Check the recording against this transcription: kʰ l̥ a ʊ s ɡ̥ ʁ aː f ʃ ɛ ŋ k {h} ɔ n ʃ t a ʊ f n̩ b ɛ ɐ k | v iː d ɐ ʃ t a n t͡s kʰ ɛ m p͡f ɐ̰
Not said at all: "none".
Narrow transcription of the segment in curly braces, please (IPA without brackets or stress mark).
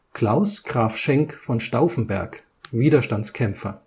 f